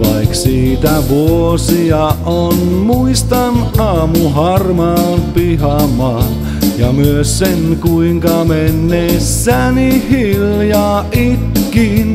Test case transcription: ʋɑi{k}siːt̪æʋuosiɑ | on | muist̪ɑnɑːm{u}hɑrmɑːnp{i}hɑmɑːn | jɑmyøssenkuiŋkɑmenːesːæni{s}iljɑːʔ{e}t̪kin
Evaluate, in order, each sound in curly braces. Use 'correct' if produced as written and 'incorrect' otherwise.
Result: correct, correct, correct, incorrect, incorrect

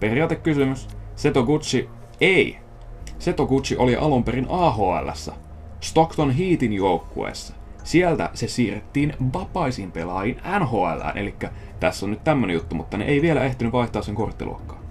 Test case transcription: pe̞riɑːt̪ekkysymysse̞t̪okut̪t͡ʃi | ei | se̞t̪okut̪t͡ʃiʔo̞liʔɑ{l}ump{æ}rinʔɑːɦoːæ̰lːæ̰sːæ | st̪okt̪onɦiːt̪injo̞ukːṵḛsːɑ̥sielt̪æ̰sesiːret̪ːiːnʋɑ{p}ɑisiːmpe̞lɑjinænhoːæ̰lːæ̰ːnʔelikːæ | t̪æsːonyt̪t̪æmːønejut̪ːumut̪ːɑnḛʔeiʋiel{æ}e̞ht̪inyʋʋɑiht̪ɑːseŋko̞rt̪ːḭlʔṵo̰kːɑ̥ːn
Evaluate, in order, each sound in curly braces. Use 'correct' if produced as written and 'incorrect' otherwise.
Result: correct, incorrect, correct, correct

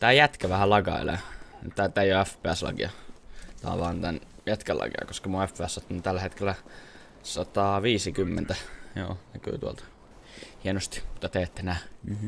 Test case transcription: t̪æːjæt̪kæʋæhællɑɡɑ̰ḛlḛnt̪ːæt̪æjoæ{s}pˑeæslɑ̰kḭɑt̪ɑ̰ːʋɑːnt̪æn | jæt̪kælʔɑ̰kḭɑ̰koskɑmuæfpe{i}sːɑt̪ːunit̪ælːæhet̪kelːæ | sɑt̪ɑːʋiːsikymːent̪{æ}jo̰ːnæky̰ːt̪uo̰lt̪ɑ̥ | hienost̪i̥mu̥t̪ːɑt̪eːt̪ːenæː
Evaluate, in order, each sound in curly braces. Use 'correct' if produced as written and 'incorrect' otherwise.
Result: incorrect, incorrect, correct

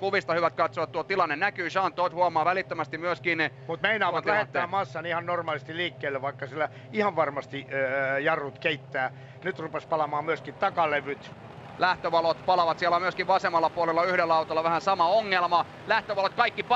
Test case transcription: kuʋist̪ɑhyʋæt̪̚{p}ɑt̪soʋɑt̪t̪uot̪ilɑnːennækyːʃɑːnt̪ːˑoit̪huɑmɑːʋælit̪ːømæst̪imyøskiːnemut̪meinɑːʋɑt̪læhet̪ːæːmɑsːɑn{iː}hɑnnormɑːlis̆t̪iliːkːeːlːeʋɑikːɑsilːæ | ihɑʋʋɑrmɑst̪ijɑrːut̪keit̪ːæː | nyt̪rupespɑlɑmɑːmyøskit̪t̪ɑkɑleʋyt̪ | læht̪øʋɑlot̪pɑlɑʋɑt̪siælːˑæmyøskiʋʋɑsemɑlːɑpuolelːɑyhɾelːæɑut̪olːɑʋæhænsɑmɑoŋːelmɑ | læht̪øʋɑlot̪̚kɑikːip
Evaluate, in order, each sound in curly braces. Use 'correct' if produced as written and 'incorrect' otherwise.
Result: incorrect, incorrect

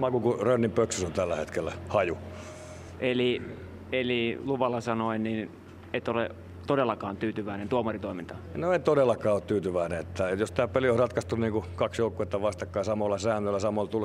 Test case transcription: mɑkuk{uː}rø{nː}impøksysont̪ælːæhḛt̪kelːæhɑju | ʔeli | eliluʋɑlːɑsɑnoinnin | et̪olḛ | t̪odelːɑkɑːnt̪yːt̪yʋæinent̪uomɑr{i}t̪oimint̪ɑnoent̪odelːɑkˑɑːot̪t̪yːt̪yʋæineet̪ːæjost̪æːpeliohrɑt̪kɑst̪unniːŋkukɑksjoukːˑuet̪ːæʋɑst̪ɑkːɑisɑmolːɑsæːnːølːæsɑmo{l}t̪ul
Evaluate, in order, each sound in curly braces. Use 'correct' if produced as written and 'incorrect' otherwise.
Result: incorrect, correct, correct, correct

